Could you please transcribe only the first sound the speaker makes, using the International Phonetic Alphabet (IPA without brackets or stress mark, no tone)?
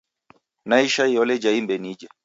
n